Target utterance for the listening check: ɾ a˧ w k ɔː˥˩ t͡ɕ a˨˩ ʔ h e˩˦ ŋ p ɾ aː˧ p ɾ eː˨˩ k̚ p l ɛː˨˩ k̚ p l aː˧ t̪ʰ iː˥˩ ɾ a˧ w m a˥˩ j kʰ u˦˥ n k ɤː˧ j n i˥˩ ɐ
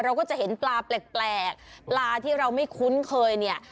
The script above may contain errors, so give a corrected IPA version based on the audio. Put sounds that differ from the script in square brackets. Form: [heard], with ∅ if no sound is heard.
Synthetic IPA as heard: ɾ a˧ w k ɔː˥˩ t͡ɕ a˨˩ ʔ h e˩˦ [n] p [l] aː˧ p [l] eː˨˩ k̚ p l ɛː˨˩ k̚ p l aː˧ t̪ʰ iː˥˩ ɾ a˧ w m a˥˩ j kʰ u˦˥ n [kʰ] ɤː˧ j n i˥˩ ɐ